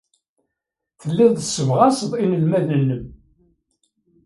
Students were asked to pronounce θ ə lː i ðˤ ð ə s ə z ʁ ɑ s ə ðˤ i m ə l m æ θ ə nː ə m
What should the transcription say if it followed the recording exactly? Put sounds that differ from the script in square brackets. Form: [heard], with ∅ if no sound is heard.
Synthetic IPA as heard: θ ə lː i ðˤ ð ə s ə [v] ʁ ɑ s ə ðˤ i [n] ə l m æ [ð] ə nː ə m